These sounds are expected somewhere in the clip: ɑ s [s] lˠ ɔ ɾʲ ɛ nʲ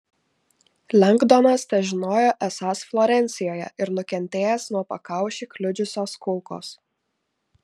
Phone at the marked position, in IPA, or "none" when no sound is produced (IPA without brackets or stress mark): f